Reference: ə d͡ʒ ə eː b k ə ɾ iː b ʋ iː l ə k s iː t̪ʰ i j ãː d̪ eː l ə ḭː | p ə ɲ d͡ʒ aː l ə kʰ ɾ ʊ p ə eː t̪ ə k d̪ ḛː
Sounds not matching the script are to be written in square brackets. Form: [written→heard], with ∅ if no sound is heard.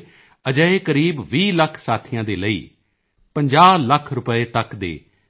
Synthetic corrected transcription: ə d͡ʒ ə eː [b→∅] k ə ɾ iː b ʋ iː l ə [k→kʰ] s [iː→aː] t̪ʰ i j ãː d̪ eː l ə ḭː | p ə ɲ d͡ʒ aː l ə kʰ ɾ ʊ p ə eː t̪ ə k d̪ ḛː